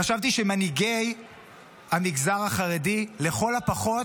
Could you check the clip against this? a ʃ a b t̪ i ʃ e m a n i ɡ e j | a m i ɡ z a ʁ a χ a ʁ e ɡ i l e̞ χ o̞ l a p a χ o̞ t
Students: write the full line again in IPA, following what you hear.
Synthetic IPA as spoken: a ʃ a v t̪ i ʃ e m a n i ɡ e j | a m i ɡ z a ʁ a χ a ʁ e d i l e̞ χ o̞ l a p a χ o̞ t

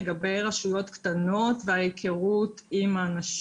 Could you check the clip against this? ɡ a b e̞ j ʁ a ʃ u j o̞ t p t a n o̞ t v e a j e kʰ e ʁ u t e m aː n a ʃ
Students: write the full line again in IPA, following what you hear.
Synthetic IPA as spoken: ɡ a b e̞ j ʁ a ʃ u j o̞ t k t a n o̞ t v e a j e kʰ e ʁ u t i m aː n a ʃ

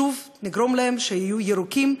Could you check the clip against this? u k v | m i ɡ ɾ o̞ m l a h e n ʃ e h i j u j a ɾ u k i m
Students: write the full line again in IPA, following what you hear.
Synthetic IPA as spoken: u v | n i ɡ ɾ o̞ m l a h e m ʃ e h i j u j e ɾ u k i m

